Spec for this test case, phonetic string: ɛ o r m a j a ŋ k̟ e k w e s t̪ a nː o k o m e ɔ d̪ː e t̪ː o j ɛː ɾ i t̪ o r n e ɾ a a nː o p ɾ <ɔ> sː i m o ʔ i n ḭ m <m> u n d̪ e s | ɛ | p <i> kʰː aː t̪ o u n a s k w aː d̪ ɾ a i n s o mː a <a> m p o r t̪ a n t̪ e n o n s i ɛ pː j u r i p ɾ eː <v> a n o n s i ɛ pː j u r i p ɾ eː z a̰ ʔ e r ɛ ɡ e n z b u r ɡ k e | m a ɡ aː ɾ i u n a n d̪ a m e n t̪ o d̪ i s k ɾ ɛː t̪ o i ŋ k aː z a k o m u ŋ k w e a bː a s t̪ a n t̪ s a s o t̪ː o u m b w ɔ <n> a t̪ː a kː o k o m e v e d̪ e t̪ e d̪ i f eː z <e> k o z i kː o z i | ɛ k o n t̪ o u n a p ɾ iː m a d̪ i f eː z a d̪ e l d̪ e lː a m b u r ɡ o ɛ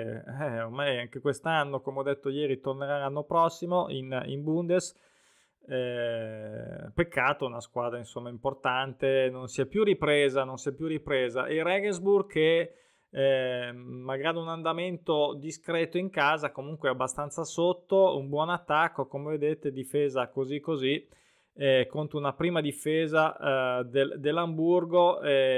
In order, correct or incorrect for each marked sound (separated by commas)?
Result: correct, incorrect, incorrect, incorrect, incorrect, correct, incorrect